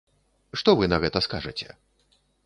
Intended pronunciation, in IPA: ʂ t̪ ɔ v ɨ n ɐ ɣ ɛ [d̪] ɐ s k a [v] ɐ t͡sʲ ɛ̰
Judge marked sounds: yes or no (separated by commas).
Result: no, no